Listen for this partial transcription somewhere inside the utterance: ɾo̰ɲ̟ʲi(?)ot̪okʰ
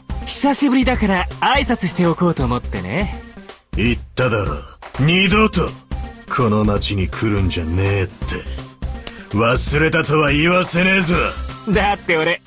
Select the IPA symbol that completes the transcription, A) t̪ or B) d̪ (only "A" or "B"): B